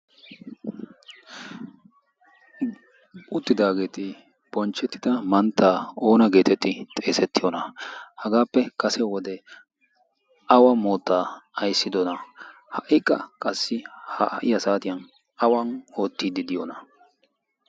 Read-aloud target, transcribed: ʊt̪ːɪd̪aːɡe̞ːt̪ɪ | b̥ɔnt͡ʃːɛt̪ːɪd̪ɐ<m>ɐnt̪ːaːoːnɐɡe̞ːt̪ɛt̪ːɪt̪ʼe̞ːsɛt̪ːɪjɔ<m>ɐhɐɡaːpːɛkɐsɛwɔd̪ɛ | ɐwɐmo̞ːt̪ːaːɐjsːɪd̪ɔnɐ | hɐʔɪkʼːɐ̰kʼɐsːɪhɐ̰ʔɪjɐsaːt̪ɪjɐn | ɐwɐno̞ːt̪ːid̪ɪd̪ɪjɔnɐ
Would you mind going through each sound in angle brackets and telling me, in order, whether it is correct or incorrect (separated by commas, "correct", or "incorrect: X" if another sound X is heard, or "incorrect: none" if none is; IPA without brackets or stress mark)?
correct, incorrect: n